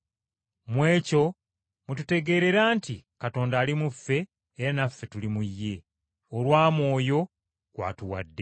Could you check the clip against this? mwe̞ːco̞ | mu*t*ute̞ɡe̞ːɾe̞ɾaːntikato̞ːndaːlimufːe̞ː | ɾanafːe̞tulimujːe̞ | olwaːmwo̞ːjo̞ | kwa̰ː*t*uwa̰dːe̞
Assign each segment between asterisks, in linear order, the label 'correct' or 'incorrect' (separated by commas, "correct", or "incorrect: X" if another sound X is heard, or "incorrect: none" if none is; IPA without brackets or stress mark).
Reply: correct, correct